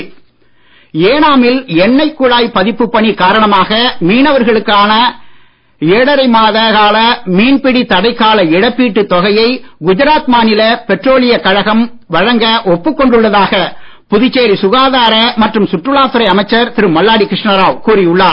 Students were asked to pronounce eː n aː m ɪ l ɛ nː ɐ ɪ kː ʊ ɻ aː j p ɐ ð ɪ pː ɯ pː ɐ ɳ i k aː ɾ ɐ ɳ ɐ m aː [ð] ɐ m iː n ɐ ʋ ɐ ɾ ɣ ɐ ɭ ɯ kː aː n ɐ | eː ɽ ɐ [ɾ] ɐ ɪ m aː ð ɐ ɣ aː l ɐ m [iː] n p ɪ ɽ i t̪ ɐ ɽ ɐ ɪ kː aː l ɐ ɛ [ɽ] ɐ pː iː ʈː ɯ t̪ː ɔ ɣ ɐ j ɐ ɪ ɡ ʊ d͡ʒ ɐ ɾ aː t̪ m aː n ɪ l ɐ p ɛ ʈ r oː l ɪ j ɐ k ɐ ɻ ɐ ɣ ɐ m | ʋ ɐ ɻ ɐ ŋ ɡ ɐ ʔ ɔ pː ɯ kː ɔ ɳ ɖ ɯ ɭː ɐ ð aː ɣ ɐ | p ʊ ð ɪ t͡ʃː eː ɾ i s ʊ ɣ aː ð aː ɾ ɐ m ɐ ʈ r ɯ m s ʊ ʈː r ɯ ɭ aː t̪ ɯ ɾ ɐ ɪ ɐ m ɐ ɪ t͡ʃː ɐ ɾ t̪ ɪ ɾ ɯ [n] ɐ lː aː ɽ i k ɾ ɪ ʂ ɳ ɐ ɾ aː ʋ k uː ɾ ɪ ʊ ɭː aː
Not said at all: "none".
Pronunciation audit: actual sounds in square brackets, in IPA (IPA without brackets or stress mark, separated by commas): ɣ, ɾ, iː, ɽ, m